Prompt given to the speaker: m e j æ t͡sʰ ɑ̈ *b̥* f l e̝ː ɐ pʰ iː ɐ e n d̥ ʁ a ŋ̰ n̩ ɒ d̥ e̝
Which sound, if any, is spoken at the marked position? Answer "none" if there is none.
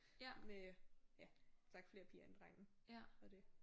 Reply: ɡ̥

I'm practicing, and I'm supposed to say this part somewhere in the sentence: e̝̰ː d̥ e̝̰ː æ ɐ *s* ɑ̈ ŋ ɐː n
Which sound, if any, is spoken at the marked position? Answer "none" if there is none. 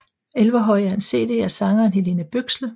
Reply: s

